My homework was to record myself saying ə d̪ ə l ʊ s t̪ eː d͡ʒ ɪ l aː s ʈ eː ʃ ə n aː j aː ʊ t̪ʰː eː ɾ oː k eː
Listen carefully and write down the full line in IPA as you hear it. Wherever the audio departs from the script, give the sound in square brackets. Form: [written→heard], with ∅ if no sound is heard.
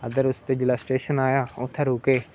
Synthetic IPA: ə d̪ ə [l→ɾ] ʊ s t̪ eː d͡ʒ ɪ l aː s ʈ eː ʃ ə n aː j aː ʊ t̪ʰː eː ɾ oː k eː